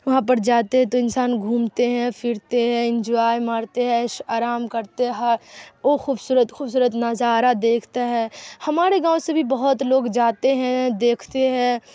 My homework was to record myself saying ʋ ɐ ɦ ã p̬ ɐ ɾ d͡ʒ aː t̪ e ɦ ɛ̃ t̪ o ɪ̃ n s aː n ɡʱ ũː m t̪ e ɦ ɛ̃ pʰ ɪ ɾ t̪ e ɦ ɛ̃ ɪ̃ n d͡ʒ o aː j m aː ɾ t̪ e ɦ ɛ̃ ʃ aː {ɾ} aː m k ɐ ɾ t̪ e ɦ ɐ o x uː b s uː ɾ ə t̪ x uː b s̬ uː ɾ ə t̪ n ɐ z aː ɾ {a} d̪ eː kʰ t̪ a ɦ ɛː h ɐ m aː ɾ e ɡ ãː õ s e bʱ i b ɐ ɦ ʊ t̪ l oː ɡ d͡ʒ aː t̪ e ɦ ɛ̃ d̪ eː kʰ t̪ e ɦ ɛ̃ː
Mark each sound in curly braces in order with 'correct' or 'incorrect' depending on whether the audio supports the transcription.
correct, correct

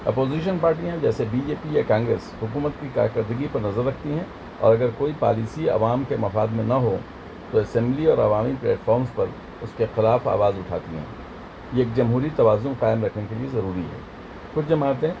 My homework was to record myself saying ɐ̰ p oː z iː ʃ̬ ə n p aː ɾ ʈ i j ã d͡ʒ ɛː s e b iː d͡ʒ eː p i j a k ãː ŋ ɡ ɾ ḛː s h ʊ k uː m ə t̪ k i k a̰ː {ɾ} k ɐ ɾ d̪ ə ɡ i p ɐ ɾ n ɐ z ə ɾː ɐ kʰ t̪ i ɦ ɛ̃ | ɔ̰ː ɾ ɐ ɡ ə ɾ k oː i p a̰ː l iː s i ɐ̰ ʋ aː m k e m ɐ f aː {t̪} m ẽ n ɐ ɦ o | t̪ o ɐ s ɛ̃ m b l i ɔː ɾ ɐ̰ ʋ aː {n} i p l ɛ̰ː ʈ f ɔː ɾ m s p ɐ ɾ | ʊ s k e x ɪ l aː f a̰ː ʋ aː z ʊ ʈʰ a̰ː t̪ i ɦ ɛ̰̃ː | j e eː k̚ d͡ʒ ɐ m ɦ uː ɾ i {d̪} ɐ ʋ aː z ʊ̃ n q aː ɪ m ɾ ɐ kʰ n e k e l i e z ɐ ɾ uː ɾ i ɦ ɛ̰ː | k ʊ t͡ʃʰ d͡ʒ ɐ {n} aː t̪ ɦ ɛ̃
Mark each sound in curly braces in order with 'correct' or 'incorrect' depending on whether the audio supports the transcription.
correct, incorrect: d̪, incorrect: m, incorrect: t̪, incorrect: m

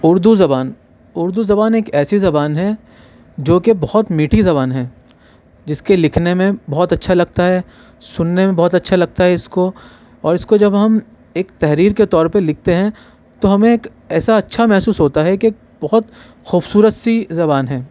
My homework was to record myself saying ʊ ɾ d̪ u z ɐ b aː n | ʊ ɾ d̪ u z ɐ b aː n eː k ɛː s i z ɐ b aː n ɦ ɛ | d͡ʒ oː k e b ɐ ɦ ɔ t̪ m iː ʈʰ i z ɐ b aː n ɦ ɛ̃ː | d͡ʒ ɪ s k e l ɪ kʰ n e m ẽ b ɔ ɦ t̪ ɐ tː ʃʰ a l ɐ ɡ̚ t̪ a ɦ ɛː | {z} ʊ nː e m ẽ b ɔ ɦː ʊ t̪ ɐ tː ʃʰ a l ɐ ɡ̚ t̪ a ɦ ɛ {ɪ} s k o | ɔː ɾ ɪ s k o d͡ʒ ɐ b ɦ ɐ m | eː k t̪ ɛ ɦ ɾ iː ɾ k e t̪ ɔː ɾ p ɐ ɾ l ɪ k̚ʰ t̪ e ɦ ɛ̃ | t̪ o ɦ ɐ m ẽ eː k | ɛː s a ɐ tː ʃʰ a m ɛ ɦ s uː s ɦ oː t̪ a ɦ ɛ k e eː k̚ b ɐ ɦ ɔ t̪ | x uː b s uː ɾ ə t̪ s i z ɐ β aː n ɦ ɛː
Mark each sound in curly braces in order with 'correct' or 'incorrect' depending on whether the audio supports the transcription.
incorrect: s, correct

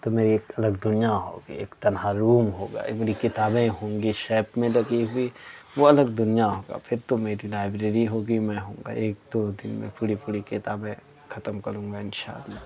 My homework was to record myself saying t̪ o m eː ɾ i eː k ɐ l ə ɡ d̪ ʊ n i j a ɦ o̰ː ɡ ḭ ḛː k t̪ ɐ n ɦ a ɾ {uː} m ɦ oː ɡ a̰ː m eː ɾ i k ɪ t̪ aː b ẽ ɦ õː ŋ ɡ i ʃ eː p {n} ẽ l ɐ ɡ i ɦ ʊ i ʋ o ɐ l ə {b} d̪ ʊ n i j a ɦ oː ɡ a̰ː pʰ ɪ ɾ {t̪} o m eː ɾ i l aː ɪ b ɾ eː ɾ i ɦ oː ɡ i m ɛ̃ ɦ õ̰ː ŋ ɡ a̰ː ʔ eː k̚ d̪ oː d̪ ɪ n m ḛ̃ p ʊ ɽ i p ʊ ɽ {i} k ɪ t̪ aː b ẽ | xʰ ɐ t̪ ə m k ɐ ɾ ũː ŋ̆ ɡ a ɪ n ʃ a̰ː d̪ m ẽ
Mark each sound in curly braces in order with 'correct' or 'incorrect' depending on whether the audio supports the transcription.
correct, incorrect: m, incorrect: ɡ, correct, correct

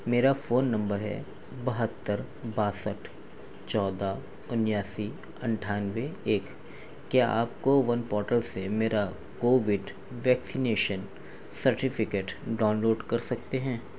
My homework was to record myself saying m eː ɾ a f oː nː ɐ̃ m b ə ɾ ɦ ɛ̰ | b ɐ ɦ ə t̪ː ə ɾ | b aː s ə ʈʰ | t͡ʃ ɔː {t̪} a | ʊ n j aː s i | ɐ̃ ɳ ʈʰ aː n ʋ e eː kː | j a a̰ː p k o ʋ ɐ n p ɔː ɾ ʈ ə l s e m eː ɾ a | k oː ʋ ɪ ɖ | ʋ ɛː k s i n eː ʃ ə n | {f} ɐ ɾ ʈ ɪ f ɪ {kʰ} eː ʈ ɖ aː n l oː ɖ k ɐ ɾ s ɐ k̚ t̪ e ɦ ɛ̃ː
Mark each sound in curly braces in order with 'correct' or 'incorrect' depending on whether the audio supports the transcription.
incorrect: d̪, incorrect: s, incorrect: k

